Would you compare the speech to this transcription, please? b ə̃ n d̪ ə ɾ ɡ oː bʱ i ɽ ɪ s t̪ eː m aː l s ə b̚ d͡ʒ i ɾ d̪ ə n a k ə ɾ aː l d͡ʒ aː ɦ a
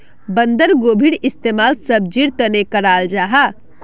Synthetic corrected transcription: b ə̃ n d̪ ə ɾ ɡ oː bʱ i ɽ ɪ s t̪ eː m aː l s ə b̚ d͡ʒ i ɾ t̪ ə n e k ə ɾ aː l d͡ʒ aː ɦ a